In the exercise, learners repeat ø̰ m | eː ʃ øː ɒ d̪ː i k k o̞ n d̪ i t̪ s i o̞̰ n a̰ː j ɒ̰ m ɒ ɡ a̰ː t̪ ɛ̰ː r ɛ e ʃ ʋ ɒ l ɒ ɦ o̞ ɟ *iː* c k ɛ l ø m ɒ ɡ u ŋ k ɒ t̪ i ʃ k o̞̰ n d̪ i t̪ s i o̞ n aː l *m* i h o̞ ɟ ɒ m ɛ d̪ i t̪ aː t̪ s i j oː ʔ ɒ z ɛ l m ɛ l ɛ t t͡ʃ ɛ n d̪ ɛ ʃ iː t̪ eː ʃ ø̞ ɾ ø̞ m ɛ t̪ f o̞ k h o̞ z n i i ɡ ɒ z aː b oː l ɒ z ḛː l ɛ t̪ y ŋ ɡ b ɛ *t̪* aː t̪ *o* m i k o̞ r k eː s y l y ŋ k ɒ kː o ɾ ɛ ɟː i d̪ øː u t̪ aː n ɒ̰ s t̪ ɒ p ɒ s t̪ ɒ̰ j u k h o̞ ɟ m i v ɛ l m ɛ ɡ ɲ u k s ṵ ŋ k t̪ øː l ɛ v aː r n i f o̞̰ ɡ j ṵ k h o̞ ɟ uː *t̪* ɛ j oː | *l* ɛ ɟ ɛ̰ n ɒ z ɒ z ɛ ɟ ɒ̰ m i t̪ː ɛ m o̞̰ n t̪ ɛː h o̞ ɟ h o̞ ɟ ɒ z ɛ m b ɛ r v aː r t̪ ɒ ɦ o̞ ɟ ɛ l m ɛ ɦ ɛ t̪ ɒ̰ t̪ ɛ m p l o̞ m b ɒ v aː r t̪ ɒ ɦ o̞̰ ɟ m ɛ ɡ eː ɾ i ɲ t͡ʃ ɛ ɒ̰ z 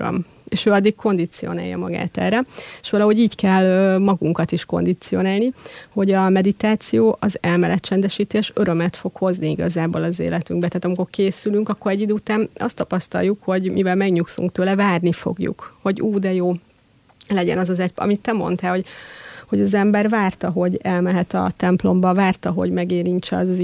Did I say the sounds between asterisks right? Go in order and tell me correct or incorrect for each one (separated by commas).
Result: correct, incorrect, correct, incorrect, incorrect, correct